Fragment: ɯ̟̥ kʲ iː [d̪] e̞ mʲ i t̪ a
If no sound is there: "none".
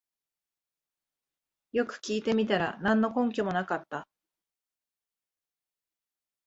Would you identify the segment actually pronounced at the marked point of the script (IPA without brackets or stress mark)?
t̪